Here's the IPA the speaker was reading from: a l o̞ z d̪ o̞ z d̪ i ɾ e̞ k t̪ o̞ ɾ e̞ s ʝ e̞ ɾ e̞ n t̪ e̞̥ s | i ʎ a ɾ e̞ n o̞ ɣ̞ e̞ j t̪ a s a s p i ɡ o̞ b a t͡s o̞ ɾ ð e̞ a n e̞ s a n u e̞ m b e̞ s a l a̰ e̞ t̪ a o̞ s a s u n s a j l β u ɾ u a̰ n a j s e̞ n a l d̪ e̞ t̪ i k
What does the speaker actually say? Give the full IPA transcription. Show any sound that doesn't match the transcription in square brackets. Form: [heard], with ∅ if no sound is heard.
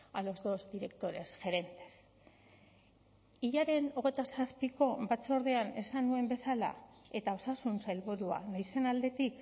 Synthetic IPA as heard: a l o̞ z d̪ o̞ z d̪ i ɾ e̞ k t̪ o̞ ɾ e̞ s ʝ e̞ ɾ e̞ n t̪ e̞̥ s | i ʎ a ɾ e̞ n o̞ ɣ̞ e̞ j t̪ a s a s p i [k] o̞ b a t͡s o̞ ɾ ð e̞ a n e̞ s a n u e̞ m b e̞ s a l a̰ e̞ t̪ a o̞ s a s u n s a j l β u ɾ u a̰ n a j s e̞ n a l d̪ e̞ t̪ i k